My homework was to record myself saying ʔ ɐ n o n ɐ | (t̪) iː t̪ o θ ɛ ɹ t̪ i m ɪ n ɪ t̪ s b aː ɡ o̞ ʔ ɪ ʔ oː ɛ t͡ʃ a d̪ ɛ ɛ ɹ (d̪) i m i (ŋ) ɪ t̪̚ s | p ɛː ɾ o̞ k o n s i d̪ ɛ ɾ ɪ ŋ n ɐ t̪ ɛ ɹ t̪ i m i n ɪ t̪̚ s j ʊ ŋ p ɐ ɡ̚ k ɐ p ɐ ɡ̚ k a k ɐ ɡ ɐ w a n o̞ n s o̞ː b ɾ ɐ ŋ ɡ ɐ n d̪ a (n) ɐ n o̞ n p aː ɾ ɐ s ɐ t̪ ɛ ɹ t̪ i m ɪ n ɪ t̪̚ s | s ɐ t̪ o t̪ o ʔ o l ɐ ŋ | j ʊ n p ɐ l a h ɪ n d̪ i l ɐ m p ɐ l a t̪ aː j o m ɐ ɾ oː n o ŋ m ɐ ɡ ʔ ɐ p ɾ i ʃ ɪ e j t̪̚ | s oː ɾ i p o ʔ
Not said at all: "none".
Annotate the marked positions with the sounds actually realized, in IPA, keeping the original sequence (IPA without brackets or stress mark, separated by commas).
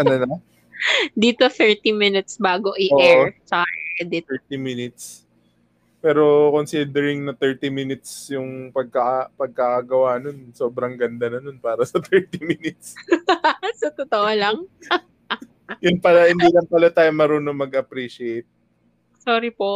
d̪, t̪, n, n